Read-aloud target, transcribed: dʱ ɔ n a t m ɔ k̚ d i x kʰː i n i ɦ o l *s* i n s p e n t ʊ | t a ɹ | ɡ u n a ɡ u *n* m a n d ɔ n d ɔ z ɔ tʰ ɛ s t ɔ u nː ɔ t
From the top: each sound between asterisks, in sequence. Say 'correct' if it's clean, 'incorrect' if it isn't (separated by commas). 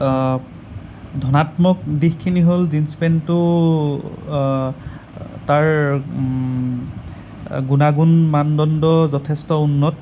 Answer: incorrect, correct